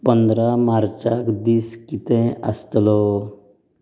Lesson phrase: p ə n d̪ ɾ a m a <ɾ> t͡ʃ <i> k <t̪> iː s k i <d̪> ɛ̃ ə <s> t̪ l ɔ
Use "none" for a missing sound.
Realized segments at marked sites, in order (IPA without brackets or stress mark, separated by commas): ɾ, a, d̪, t̪, s